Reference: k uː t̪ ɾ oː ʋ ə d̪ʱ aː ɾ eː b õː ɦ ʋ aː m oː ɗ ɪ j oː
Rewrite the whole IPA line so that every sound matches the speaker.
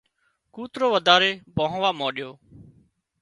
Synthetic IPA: k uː t̪ ɾ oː ʋ ə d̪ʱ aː ɾ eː b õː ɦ ʋ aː m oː ɗ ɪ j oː